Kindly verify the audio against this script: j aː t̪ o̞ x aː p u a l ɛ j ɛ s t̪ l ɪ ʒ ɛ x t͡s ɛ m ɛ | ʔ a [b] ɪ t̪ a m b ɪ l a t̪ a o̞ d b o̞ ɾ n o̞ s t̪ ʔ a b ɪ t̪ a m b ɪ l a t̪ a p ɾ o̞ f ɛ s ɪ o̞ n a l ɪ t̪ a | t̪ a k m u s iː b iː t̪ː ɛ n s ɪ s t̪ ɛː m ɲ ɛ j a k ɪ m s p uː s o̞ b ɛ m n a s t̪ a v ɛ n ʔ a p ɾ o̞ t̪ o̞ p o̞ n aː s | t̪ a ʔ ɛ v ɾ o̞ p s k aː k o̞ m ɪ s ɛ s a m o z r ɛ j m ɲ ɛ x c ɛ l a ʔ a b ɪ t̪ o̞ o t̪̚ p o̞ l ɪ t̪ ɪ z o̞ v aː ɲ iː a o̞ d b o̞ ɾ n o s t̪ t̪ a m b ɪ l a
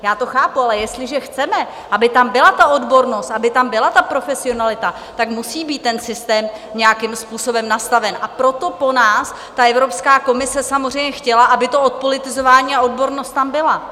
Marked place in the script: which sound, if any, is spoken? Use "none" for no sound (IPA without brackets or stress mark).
b